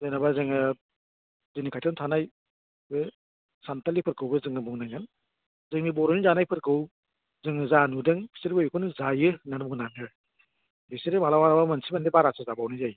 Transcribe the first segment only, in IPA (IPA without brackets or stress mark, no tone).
z